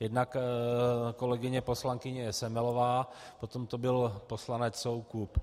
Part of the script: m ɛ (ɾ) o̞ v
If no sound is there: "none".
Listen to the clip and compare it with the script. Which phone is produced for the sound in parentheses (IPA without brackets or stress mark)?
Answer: l